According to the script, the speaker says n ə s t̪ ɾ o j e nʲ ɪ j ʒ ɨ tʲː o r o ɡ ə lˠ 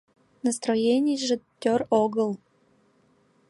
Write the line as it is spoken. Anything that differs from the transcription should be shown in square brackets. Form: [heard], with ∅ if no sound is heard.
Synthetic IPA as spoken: n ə s t̪ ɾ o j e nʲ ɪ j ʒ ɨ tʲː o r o ɡ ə lˠ